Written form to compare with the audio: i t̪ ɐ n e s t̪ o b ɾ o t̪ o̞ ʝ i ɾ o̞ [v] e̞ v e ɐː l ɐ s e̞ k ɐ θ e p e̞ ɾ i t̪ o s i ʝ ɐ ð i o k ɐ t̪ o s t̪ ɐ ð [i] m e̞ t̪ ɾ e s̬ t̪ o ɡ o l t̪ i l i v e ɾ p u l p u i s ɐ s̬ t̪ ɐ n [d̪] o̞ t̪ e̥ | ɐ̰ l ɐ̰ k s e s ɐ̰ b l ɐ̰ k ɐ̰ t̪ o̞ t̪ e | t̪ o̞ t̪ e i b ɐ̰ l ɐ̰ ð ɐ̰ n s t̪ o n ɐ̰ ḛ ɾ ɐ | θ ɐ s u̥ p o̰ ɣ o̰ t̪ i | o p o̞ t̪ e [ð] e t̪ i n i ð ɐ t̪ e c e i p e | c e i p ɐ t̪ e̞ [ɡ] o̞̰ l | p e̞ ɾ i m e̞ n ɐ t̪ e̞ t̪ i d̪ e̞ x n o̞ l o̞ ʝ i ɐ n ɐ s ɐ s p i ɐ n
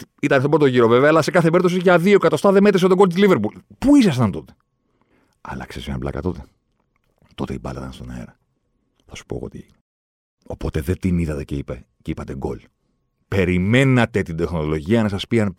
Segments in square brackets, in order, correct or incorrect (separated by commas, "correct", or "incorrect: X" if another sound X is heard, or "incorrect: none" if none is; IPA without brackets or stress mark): correct, incorrect: e, incorrect: t̪, correct, correct